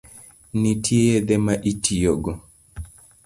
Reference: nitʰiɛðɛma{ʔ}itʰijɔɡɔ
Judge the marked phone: correct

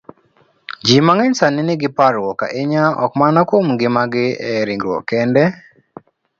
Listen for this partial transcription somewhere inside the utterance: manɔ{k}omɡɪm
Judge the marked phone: correct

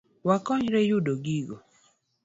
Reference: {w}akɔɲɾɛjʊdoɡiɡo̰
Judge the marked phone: correct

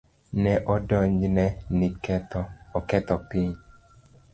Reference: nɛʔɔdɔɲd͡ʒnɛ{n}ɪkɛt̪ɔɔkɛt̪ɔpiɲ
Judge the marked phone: correct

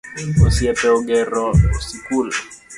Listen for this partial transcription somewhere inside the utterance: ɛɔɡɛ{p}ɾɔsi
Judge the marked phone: incorrect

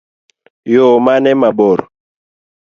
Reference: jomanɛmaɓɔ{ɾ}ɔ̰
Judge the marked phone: correct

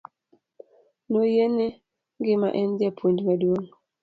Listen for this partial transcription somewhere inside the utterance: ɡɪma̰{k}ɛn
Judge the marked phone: incorrect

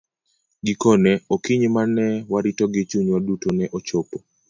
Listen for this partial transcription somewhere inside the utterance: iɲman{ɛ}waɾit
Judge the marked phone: correct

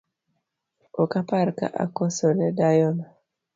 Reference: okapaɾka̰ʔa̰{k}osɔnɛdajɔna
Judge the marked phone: correct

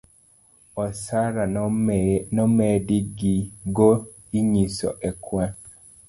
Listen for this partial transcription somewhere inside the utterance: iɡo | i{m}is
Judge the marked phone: incorrect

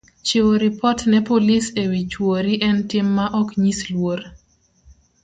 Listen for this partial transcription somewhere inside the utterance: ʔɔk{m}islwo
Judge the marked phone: incorrect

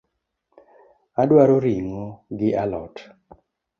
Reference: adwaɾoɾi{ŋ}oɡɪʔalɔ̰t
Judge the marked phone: correct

